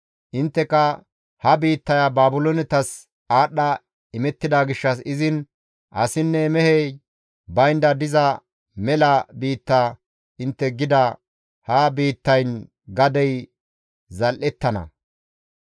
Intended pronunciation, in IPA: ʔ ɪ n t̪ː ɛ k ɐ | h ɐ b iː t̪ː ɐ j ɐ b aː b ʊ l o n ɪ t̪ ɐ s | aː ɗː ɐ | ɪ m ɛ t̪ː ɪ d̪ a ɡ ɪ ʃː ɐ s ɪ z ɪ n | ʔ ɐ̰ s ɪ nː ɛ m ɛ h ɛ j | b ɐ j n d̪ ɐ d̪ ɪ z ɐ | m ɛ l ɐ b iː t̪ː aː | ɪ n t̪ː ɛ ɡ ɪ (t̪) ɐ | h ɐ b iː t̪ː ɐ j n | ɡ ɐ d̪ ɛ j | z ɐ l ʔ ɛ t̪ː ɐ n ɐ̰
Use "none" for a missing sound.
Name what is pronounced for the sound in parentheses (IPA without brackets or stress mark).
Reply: d̪